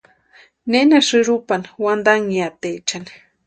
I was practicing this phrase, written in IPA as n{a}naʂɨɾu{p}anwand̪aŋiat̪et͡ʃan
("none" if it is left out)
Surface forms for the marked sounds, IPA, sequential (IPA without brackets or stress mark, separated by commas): e, p